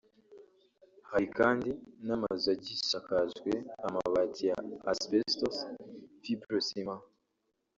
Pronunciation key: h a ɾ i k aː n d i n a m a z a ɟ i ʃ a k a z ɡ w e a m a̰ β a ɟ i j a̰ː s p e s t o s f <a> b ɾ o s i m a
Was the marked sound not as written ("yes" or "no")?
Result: yes